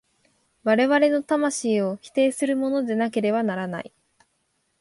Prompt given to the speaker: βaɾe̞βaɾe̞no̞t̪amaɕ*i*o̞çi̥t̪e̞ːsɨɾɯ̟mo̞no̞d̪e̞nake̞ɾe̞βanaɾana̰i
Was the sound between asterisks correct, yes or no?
no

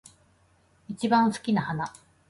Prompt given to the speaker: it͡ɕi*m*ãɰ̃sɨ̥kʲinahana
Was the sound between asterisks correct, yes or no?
no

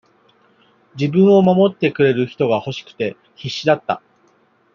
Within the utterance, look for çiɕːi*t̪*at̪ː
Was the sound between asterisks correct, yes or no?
no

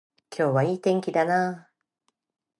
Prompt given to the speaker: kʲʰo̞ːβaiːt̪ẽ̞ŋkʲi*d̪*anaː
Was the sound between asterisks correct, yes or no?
yes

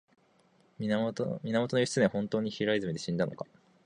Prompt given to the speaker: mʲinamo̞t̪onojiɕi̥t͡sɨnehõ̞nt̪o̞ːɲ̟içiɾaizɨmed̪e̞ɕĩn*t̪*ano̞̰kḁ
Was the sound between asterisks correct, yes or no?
no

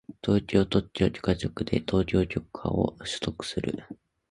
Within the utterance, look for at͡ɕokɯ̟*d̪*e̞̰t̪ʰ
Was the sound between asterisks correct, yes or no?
yes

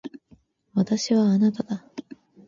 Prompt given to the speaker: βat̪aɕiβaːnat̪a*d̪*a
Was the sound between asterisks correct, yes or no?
yes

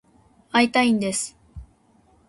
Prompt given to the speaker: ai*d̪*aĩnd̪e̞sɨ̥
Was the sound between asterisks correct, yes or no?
no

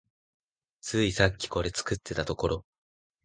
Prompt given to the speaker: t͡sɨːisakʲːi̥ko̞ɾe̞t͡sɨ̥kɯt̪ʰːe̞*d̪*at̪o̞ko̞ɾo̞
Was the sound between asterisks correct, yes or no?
no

